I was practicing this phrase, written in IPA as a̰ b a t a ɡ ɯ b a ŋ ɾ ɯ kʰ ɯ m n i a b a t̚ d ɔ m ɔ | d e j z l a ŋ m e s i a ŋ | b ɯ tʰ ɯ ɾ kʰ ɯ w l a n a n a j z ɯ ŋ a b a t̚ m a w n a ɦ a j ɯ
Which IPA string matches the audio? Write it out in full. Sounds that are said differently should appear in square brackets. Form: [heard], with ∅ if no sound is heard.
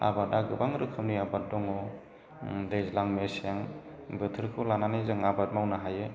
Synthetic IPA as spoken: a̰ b a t a ɡ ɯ b a ŋ ɾ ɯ kʰ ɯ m n i a b a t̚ d ɔ [ŋ] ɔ | d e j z l a ŋ m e s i a ŋ | b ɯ tʰ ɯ ɾ kʰ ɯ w l a n a n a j z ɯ ŋ a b a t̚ m a w n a ɦ a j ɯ